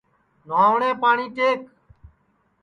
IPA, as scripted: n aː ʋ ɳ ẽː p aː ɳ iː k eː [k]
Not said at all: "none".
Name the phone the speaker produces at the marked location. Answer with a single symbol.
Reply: k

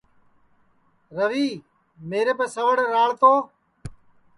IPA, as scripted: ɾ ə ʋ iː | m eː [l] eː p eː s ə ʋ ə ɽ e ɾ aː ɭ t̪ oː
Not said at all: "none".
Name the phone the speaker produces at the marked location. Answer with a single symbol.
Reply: ɾ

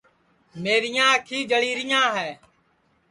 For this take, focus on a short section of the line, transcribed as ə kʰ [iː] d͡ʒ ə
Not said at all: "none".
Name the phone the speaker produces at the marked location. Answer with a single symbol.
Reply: iː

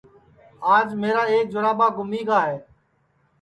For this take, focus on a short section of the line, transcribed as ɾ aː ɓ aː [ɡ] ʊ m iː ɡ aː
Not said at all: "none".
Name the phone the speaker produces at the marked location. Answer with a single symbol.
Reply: ɡ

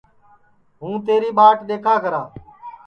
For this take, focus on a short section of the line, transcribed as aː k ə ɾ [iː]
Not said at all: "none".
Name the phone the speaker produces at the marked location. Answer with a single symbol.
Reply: aː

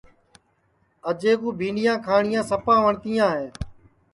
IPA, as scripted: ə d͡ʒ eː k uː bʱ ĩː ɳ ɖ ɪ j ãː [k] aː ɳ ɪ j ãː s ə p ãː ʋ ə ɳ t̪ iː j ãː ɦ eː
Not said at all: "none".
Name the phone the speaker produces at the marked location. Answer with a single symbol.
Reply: kʰ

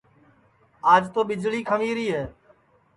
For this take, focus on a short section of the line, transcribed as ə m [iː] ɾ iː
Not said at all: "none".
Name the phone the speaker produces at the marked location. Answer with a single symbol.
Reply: iː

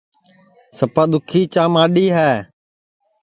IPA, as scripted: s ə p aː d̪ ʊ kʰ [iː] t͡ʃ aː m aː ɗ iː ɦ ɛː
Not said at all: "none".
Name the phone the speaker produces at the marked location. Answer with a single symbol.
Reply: iː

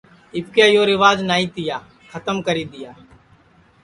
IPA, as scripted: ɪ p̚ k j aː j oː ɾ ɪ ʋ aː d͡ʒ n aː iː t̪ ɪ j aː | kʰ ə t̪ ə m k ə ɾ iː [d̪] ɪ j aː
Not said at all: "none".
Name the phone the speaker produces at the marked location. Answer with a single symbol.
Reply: d̪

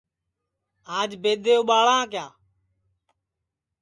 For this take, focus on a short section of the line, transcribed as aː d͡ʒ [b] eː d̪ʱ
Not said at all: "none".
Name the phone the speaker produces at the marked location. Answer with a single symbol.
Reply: b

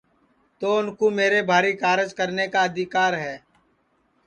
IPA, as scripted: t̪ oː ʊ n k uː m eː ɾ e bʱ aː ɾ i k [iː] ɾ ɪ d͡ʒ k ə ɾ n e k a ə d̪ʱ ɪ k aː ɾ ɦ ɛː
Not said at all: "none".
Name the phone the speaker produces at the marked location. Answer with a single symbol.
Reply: aː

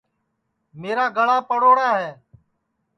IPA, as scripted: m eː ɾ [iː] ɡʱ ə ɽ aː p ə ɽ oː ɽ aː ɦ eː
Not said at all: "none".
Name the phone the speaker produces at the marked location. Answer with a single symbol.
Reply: aː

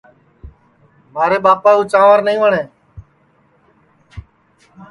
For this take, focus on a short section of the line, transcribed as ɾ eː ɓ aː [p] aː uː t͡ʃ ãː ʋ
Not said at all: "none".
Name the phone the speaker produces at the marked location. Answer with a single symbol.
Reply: p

